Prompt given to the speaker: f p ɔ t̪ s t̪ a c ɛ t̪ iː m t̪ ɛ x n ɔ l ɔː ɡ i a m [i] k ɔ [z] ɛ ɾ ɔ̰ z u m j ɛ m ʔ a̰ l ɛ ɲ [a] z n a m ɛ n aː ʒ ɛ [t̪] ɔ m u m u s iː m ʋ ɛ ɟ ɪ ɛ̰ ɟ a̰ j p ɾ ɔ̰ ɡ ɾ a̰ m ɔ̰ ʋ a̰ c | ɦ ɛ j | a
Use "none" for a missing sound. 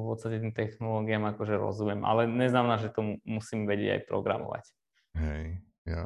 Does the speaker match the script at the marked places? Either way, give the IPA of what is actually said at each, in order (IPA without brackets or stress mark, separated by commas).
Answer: a, ʒ, ɛ, t̪